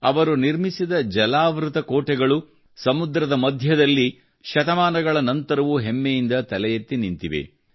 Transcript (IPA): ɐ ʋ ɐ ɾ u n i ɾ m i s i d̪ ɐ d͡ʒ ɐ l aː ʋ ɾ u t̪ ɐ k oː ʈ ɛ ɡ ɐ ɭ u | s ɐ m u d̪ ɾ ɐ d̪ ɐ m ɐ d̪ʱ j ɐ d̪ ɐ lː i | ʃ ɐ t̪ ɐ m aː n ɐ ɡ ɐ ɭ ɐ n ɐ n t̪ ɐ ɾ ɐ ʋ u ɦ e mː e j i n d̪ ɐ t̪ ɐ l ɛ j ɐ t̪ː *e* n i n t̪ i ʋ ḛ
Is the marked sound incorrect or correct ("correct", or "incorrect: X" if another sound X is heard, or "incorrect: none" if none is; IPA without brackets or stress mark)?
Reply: incorrect: i